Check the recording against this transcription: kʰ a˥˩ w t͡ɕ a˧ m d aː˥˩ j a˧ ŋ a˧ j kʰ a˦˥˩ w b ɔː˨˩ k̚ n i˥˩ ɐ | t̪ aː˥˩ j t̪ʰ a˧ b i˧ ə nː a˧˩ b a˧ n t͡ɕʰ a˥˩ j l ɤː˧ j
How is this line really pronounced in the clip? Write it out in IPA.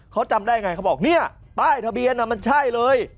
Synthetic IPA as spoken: kʰ a˦˥ w t͡ɕ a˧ m d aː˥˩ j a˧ ŋ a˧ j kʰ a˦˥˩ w b ɔː˨˩ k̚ n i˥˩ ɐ | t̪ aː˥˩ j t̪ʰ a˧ b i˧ ə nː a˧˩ m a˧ n t͡ɕʰ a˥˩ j l ɤː˧ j